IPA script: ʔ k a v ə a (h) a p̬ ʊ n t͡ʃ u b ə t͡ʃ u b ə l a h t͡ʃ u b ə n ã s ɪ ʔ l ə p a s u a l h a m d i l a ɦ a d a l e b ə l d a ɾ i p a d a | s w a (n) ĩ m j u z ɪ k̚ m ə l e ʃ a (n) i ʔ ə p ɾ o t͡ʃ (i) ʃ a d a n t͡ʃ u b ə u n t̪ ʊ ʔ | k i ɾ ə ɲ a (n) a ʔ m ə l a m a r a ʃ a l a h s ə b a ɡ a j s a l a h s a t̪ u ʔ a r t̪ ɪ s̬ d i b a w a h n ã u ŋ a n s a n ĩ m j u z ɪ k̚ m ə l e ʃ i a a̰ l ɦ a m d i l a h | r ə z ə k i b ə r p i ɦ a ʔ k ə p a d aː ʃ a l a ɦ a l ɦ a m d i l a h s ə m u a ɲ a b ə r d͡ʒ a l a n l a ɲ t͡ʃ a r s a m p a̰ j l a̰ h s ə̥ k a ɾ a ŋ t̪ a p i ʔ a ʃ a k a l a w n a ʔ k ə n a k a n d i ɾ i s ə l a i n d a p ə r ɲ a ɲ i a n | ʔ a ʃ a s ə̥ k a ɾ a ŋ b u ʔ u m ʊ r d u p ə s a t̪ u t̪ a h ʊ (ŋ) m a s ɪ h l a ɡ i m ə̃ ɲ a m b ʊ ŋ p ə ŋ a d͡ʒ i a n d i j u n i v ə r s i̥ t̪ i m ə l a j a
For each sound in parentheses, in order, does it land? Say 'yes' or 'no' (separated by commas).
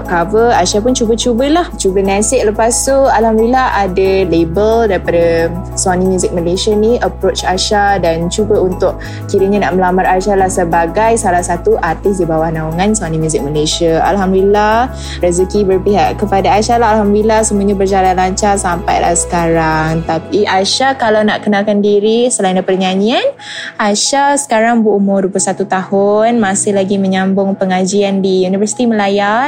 no, yes, yes, no, yes, no